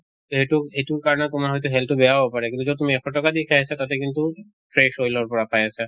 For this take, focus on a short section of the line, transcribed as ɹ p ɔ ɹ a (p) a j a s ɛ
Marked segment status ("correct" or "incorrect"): correct